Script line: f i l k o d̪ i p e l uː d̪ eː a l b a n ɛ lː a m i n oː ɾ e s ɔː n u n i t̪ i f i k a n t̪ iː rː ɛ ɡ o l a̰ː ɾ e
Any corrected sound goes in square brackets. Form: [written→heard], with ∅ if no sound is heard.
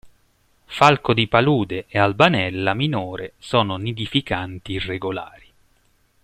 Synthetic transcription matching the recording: f [i→a] l k o d̪ i p [e→a] l uː d̪ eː a l b a n ɛ lː a m i n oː ɾ e s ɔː n [u→o] n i [t̪→d̪] i f i k a n t̪ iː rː [ɛ→e] ɡ o l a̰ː ɾ [e→i]